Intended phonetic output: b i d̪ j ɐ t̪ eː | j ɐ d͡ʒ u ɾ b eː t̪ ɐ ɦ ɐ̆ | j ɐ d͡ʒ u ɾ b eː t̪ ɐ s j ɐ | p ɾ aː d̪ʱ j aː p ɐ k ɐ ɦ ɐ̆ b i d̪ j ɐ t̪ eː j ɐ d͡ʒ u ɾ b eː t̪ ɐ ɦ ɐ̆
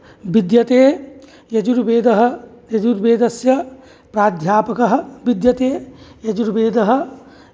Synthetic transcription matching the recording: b i d̪ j ɐ t̪ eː | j ɐ d͡ʒ u ɾ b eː d̪ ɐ ɦ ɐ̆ | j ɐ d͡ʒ u ɾ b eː d̪ ɐ s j ɐ | p ɾ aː d̪ʱ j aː p ɐ k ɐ ɦ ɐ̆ b i d̪ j ɐ t̪ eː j ɐ d͡ʒ u ɾ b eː d̪ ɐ ɦ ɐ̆

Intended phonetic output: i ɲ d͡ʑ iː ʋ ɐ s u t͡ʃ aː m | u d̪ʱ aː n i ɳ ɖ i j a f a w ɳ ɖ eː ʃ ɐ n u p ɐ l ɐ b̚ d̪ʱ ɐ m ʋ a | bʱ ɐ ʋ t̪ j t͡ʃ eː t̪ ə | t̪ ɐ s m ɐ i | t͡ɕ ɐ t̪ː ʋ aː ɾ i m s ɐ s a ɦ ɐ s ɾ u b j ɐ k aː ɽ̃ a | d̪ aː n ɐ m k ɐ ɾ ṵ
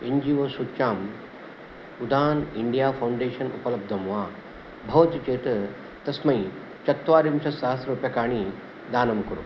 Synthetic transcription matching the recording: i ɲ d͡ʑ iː ʋ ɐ s u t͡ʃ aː m | u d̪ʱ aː n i ɳ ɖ i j a f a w ɳ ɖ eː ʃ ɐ n u p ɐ l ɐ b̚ d̪ʱ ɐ m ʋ a | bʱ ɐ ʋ t̪ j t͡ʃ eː t̪ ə | t̪ ɐ s m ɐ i | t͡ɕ ɐ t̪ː ʋ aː ɾ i m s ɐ s a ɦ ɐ s ɾ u p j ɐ k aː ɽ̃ i | d̪ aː n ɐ m k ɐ ɾ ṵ

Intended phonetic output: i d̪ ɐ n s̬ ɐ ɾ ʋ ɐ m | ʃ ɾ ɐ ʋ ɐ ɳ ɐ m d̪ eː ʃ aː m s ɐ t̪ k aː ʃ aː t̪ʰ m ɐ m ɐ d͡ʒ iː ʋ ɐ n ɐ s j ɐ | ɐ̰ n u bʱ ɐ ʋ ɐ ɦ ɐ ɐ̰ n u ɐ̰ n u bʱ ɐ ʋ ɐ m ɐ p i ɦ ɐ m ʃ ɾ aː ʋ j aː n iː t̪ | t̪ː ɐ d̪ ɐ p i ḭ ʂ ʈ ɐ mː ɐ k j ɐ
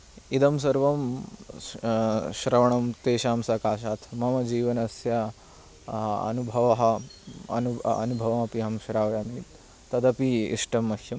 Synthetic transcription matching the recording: i d̪ ɐ m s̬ ɐ ɾ ʋ ɐ m | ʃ ɾ ɐ ʋ ɐ ɳ ɐ m t̪ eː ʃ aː m s ɐ k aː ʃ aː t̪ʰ m ɐ m ɐ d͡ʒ iː ʋ ɐ n ɐ s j ɐ | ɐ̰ n u bʱ ɐ ʋ ɐ ɦ ɐ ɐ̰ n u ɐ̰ n u bʱ ɐ ʋ ɐ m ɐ p i ɦ ɐ m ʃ ɾ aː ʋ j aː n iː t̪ | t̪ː ɐ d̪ ɐ p i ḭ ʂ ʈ ɐ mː ɐ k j ɐ

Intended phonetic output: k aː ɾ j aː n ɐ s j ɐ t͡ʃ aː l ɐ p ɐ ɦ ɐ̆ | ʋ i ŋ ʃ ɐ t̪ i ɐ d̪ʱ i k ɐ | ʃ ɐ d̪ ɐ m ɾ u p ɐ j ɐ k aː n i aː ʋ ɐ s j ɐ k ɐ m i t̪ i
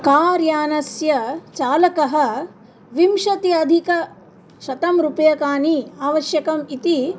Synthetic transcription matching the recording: k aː ɾ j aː n ɐ s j ɐ t͡ʃ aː l ɐ k ɐ ɦ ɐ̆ | ʋ i m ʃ ɐ t̪ i ɐ d̪ʱ i k ɐ | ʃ ɐ t̪ ɐ m ɾ u p ɐ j ɐ k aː n i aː ʋ ɐ ʃ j ɐ k ɐ m i t̪ i

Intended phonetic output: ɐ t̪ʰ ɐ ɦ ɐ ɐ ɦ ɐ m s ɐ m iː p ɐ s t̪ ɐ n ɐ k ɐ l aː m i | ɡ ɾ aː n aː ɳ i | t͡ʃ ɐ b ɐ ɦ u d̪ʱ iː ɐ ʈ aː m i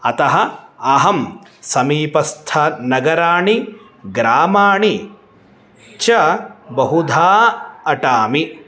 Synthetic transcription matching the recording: ɐ t̪ ɐ ɦ ɐ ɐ ɦ ɐ m s ɐ m iː p ɐ s t̪ʰ ɐ n ɐ ɡ ɐ ɾ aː ɳ i | ɡ ɾ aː m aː ɳ i | t͡ʃ ɐ b ɐ ɦ u d̪ʱ aː ɐ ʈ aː m i

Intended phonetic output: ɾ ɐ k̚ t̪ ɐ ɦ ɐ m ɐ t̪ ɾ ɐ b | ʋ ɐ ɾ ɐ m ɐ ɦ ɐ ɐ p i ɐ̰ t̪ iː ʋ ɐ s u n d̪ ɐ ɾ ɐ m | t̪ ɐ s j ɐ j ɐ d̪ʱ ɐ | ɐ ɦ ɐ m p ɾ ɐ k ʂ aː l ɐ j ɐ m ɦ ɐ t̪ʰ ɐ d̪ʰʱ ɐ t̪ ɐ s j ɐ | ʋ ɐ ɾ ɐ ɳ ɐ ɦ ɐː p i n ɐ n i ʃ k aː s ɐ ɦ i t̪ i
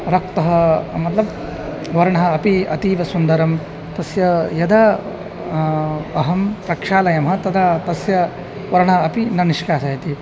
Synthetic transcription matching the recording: ɾ ɐ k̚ t̪ ɐ ɦ ɐ m ɐ t̪ l ɐ b | ʋ ɐ ɾ ɐ ɳ ɐ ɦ ɐ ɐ p i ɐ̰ t̪ iː ʋ ɐ s u n d̪ ɐ ɾ ɐ m | t̪ ɐ s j ɐ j ɐ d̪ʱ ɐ | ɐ ɦ ɐ m p ɾ ɐ k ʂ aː l ɐ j ɐ m ɦ ɐ t̪ ɐ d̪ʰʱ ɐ t̪ ɐ s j ɐ | ʋ ɐ ɾ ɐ ɳ ɐ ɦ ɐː p i n ɐ n i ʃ k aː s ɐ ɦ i t̪ i

